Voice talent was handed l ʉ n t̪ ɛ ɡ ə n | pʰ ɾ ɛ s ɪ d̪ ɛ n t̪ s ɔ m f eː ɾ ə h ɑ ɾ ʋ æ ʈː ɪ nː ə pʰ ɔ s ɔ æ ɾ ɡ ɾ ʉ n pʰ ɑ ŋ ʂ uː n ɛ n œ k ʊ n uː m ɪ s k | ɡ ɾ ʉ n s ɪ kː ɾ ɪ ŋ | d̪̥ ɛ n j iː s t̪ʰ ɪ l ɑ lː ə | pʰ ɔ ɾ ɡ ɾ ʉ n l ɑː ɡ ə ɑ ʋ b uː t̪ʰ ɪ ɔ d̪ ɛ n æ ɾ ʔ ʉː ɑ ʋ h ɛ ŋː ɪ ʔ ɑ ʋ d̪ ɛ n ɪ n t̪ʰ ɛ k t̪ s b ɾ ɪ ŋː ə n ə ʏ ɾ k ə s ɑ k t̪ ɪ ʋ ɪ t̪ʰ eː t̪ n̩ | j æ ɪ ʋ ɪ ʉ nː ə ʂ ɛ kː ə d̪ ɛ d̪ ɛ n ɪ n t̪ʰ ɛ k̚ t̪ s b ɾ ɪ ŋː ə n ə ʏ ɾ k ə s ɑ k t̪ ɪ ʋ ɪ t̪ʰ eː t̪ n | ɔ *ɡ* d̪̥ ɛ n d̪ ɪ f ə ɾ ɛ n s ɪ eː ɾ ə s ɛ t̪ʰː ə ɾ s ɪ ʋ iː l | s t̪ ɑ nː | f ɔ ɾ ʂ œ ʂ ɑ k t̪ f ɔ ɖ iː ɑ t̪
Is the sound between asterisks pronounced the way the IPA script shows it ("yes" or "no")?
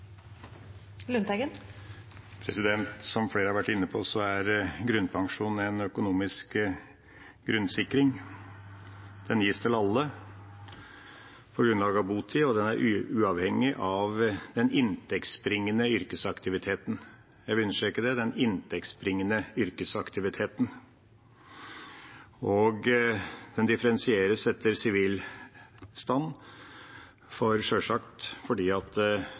yes